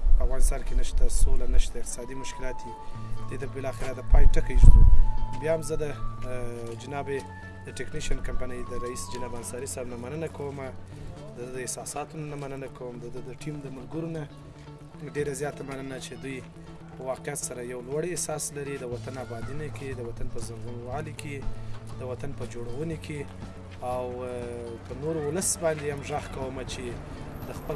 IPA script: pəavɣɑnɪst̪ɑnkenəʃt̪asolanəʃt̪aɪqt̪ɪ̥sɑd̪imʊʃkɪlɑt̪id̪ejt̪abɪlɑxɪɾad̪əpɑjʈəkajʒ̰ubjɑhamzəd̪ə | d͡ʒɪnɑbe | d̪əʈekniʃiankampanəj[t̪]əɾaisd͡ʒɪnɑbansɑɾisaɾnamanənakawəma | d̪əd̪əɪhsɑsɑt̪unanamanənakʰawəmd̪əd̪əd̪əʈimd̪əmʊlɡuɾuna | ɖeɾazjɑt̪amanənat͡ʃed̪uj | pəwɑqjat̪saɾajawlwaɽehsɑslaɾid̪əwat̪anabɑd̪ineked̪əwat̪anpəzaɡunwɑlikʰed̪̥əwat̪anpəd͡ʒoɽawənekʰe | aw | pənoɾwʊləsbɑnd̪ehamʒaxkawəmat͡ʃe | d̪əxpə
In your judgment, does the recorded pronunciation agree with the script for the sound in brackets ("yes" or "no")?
no